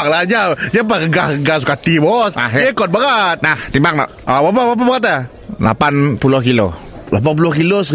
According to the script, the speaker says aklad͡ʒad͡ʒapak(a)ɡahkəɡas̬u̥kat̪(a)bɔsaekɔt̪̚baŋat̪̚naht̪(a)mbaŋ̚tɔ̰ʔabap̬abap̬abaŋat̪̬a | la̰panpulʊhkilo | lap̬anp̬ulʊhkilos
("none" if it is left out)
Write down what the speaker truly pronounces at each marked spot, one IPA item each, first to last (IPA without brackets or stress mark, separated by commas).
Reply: ə, i, i